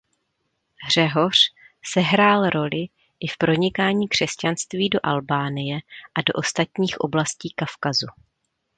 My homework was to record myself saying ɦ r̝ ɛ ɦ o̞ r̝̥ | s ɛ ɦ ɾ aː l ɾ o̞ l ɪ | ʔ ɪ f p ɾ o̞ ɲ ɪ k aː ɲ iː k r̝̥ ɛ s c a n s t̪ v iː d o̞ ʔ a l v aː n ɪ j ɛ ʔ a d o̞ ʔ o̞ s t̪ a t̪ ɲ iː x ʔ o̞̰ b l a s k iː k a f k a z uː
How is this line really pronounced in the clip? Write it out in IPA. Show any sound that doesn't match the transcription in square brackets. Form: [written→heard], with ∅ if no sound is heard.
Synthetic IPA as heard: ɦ r̝ ɛ ɦ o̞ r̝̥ | s ɛ ɦ ɾ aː l ɾ o̞ l ɪ | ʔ ɪ f p ɾ o̞ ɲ ɪ k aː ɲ iː k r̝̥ ɛ s c a n s t̪ v iː d o̞ ʔ a l [v→b] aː n ɪ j ɛ ʔ a d o̞ ʔ o̞ s t̪ a t̪ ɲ iː x ʔ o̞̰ b l a s [k→c] iː k a f k a z [uː→u]